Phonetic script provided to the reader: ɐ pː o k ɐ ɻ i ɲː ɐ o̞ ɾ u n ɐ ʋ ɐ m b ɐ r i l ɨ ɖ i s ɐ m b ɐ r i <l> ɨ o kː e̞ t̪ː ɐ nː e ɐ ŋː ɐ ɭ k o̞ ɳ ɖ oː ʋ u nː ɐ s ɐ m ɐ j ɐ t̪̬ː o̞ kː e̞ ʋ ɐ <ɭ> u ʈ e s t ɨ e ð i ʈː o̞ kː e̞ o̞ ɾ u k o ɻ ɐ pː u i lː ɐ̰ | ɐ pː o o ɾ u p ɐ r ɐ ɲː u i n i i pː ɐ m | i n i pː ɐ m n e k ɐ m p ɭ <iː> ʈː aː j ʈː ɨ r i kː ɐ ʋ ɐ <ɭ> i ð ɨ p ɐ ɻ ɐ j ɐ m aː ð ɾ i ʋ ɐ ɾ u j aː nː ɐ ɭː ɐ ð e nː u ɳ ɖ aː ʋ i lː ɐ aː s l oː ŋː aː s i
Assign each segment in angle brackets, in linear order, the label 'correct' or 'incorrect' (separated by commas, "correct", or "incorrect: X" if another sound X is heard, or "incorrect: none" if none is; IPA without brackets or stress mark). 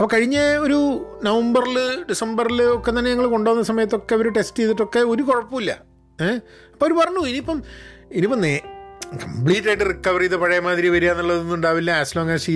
correct, incorrect: ɾ, correct, incorrect: r